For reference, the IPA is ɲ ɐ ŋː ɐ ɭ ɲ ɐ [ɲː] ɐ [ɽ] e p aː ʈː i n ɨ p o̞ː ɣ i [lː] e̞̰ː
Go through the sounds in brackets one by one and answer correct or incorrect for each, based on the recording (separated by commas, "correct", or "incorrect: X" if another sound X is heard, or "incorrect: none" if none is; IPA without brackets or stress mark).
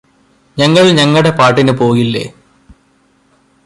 incorrect: ŋː, correct, correct